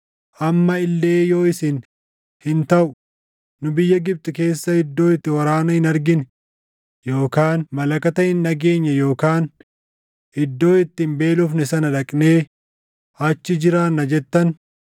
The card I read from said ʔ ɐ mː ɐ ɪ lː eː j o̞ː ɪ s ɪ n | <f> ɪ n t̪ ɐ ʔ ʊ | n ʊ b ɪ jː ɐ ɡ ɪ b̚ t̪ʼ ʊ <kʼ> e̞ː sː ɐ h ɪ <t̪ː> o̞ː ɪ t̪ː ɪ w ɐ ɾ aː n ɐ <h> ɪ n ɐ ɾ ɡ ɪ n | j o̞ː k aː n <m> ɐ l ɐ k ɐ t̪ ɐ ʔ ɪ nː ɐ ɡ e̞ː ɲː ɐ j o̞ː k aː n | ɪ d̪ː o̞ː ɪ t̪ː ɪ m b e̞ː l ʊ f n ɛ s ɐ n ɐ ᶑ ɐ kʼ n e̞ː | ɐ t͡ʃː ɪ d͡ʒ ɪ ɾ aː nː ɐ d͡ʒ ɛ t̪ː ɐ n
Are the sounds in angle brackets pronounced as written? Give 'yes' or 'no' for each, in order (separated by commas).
no, no, no, yes, yes